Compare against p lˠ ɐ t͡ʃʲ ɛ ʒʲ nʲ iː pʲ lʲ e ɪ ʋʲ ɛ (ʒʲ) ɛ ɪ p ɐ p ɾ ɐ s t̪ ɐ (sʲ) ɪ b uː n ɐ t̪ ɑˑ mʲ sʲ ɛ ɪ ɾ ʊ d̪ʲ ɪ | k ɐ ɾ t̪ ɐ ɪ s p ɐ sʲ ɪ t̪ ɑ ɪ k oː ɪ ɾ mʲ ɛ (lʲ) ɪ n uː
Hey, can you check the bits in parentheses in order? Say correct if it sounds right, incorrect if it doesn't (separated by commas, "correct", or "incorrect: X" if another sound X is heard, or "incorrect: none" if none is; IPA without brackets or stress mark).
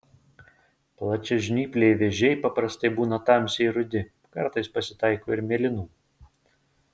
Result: correct, incorrect: none, correct